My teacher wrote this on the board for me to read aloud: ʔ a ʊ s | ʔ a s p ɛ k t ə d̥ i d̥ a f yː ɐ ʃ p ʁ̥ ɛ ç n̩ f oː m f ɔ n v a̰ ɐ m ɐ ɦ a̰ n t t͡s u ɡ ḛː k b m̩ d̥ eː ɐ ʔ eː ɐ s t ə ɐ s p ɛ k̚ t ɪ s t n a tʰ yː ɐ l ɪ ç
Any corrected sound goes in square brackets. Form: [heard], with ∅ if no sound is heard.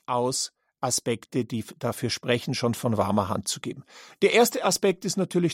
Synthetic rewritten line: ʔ a ʊ s | ʔ a s p ɛ k t ə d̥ [iː] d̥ a f yː ɐ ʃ p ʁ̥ ɛ ç n̩ [ʃ] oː [n] f ɔ n v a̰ ɐ m ɐ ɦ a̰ n t t͡s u ɡ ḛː [∅] b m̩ d̥ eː ɐ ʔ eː ɐ s t ə [a] s p ɛ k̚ t ɪ s t n a tʰ yː ɐ l ɪ ç